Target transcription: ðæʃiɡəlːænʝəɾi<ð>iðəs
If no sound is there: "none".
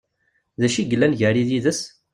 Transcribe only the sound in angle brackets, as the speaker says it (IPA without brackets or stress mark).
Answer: ð